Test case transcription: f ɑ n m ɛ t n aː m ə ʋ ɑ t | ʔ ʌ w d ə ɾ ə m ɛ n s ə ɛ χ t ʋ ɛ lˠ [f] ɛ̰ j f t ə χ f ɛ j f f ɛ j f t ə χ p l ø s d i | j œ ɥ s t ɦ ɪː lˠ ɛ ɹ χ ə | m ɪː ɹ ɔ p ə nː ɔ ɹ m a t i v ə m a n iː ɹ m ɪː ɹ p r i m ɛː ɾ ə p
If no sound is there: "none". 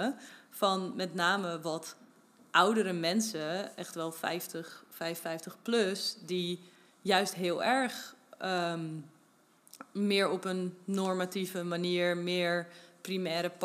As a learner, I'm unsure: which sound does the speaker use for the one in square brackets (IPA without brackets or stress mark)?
f